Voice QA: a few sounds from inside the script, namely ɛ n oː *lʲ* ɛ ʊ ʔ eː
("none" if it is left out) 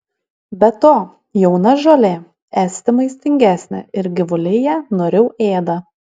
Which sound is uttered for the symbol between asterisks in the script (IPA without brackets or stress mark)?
ɾʲ